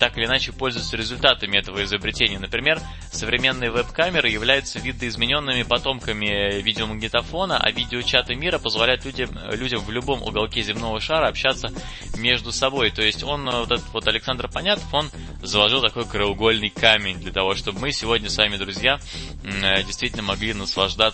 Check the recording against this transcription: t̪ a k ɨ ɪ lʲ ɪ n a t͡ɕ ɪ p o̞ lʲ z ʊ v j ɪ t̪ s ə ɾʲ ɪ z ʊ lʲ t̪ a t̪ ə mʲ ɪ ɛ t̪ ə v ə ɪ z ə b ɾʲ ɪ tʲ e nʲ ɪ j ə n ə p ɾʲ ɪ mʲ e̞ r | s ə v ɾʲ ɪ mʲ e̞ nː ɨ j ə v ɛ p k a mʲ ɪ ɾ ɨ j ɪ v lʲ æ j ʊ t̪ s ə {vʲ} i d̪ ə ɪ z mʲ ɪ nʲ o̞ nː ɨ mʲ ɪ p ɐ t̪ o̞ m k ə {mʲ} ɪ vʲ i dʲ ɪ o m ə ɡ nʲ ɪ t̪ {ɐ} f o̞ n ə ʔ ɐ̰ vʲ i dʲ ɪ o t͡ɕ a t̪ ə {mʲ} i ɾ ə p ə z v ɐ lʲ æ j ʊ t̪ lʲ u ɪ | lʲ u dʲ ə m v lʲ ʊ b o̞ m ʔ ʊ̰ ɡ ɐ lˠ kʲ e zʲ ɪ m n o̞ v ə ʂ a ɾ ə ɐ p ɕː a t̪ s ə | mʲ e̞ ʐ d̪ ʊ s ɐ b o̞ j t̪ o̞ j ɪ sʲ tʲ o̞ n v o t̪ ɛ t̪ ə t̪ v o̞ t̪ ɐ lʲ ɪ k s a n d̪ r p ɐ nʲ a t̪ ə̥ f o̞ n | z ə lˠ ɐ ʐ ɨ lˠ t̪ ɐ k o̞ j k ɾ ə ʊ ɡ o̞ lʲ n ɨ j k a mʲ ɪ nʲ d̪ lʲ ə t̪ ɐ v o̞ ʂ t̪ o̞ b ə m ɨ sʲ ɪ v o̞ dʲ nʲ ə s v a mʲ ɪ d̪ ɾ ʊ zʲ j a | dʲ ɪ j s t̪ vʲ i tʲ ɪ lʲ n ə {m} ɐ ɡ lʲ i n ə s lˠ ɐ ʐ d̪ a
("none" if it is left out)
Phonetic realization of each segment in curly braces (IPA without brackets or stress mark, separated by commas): vʲ, mʲ, ɐ, mʲ, m